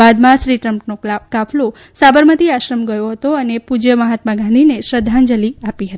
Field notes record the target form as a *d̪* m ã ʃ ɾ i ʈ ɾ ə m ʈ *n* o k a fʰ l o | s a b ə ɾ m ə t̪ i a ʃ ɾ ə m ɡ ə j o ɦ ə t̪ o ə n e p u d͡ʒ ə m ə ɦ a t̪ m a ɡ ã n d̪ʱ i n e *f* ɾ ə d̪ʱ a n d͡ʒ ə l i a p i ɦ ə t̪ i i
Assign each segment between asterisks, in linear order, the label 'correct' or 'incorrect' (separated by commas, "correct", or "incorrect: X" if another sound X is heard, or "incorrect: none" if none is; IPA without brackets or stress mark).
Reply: correct, correct, incorrect: ʃ